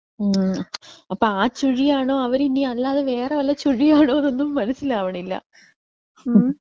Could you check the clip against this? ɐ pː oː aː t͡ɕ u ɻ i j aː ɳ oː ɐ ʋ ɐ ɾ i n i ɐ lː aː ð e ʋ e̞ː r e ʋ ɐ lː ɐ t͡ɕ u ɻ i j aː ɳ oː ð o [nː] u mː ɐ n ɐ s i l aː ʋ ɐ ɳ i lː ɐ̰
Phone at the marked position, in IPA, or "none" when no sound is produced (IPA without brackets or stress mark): nː